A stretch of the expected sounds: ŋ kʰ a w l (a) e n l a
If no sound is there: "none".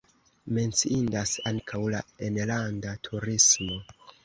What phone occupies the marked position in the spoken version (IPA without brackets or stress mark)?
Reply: a